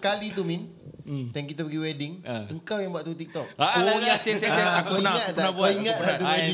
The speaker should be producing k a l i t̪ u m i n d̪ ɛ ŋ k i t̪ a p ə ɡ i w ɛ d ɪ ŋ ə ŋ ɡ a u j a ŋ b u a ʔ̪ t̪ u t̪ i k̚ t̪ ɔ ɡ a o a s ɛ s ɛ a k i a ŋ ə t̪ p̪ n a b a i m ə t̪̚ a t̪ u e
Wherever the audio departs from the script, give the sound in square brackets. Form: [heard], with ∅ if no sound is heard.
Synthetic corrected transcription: k a l i t̪ u m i n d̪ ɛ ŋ k i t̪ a p ə ɡ i w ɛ d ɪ ŋ ə ŋ [k] a [w] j a ŋ b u a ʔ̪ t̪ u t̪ i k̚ t̪ ɔ [k] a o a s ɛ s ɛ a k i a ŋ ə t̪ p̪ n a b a i [ŋ] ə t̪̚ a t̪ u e